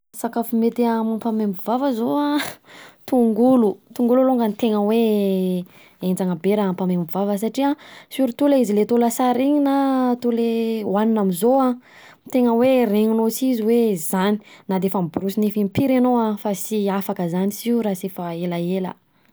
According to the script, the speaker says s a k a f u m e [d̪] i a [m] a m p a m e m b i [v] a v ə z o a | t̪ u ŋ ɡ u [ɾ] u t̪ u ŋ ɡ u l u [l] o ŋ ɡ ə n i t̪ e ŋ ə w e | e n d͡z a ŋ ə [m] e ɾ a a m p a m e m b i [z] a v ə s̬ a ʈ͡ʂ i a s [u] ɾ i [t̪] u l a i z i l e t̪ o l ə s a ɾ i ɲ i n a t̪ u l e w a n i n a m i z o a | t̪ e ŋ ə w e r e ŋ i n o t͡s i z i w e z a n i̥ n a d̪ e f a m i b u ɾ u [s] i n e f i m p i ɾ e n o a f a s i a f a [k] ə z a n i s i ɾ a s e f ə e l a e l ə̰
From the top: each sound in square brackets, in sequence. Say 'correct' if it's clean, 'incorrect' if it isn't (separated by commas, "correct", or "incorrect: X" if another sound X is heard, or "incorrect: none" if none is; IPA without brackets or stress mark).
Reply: incorrect: t̪, correct, correct, incorrect: l, correct, incorrect: b, incorrect: v, correct, correct, correct, correct